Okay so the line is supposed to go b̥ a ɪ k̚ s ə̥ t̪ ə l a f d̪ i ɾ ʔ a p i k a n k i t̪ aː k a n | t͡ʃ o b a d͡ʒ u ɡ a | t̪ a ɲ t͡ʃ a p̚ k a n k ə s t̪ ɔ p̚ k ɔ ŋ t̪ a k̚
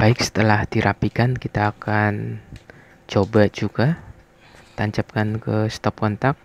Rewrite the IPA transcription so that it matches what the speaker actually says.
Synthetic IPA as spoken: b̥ a ɪ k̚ s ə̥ t̪ ə l a h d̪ i ɾ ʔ a p i k a n k i t̪ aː k a n | t͡ʃ o b a d͡ʒ u ɡ a | t̪ a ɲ t͡ʃ a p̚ k a n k ə s t̪ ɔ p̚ k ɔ n t̪ a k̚